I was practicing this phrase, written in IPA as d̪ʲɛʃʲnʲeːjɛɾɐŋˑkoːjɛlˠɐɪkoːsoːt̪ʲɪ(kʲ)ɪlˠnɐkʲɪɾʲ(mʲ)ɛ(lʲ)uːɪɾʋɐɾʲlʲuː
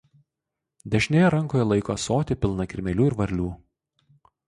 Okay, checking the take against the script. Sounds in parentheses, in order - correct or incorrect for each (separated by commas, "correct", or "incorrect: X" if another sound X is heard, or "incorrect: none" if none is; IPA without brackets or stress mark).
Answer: incorrect: pʲ, correct, correct